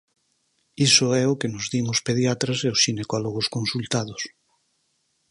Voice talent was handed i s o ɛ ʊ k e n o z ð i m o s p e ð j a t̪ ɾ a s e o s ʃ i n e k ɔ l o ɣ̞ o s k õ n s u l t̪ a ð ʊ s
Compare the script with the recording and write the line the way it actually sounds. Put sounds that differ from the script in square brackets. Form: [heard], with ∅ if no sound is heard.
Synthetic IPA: i s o ɛ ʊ k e n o z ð i m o s p e ð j a t̪ ɾ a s e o s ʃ i n e k ɔ l o ɣ̞ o s k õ n s u l t̪ a ð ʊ s